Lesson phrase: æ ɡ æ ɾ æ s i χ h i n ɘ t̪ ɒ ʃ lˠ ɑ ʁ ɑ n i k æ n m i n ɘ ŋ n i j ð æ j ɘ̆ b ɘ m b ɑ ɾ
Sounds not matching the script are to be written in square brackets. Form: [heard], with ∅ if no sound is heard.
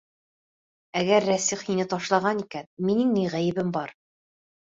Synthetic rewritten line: æ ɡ æ [ɾː] æ s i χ h i n ɘ t̪ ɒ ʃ lˠ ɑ ʁ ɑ n i k æ n m i n ɘ ŋ n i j [ʁ] æ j ɘ̆ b ɘ m b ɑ ɾ